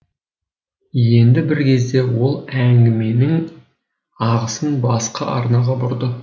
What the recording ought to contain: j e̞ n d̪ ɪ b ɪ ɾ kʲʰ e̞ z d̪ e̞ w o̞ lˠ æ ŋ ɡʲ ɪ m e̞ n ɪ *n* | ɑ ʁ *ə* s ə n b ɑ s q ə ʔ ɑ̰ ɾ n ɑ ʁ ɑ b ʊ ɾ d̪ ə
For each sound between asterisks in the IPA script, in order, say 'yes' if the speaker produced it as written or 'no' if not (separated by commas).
no, yes